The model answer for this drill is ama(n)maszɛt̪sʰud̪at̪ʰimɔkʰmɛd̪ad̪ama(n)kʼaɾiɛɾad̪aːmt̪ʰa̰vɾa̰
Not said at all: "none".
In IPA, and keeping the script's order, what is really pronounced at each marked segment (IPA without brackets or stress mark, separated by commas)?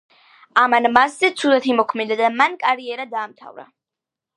n, n